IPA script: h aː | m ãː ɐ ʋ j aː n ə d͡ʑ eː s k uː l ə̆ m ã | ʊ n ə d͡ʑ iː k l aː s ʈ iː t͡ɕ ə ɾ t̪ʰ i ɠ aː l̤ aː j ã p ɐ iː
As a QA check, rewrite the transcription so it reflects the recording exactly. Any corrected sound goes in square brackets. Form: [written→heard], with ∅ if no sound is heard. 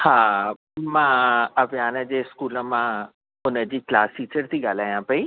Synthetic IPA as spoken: h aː | m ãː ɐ ʋ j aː n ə d͡ʑ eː s k uː l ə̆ m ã | ʊ n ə d͡ʑ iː k l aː s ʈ iː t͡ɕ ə ɾ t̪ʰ i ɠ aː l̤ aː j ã p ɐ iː